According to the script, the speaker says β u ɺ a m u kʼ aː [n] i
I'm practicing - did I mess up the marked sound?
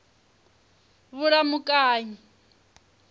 yes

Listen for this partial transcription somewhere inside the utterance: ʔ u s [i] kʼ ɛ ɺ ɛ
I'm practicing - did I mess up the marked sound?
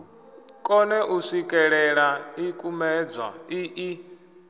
no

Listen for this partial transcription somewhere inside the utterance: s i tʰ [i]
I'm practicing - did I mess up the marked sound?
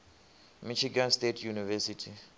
no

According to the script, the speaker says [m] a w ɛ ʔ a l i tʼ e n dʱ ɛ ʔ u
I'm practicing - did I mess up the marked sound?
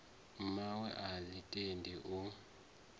no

